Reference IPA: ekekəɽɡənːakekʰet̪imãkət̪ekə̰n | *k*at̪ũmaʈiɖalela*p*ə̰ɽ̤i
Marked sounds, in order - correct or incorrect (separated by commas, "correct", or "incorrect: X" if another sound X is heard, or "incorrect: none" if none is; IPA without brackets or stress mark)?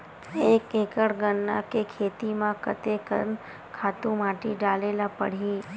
incorrect: kʰ, correct